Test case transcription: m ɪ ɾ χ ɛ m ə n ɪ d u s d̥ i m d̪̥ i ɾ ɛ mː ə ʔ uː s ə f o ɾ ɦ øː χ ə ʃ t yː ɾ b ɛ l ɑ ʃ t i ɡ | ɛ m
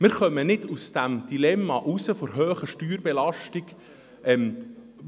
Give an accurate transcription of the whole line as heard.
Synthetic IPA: m ɪ ɾ χ œ m ə n ɪ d u s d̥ æ m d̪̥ i l ɛ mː ɑ ʔ u s ə f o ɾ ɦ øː χ ə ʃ t yː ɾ b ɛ l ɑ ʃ t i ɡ | ɛ m